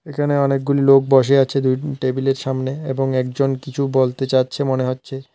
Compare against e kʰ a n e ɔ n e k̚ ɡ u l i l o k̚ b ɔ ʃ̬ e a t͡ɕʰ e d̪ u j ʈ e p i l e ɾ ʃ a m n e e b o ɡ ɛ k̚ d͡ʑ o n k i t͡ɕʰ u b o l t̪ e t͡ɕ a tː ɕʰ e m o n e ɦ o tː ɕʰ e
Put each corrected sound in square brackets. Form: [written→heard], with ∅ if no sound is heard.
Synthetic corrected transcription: e kʰ a n e ɔ n e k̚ ɡ u l i l o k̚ b ɔ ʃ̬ e a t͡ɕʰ e d̪ u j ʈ e [p→b] i l e ɾ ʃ a m n e e b o [ɡ→ŋ] ɛ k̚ d͡ʑ o n k i t͡ɕʰ u b o l t̪ e t͡ɕ a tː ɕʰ e m o n e ɦ o tː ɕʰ e